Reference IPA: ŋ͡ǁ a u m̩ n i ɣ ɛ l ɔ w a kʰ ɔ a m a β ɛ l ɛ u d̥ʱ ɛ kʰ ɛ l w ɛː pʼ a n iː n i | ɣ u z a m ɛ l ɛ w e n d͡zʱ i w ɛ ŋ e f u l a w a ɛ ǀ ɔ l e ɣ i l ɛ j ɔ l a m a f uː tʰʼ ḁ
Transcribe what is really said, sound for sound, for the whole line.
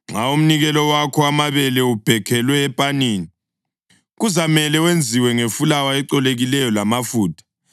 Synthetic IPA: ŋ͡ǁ a u m̩ n i ɣ ɛ l ɔ w a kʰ ɔ a m a β ɛ l ɛ u b̥ʱ ɛ kʰ ɛ l w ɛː pʼ a n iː n i | ɣ u z a m ɛ l ɛ w e n d͡zʱ i w ɛ ŋ e f u l a w a ɛ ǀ ɔ l e ɣ i l ɛ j ɔ l a m a f uː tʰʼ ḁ